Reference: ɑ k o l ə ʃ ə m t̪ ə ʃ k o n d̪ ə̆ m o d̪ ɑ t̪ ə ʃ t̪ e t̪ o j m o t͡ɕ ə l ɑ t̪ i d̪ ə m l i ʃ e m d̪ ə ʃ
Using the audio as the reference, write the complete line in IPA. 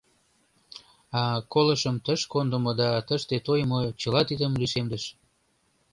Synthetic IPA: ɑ k o l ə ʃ ə m t̪ ə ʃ k o n d̪ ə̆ m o d̪ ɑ t̪ ə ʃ t̪ e t̪ o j m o t͡ɕ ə l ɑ t̪ i d̪ ə m l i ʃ e m d̪ ə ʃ